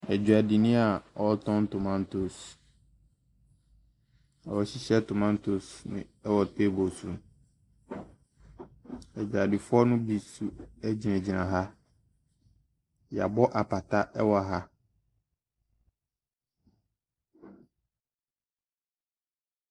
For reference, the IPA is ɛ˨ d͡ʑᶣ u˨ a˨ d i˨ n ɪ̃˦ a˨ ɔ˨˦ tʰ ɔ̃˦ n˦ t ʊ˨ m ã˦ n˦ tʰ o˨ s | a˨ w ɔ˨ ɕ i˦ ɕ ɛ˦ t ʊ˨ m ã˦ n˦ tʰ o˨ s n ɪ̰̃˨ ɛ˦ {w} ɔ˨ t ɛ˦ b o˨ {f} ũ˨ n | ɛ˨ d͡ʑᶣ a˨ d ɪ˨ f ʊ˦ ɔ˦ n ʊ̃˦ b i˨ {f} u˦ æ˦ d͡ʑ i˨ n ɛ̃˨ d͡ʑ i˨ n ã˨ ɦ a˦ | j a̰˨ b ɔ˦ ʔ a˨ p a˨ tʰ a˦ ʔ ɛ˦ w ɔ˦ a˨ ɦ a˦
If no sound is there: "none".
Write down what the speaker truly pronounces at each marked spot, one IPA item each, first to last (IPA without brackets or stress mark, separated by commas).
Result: w, s, s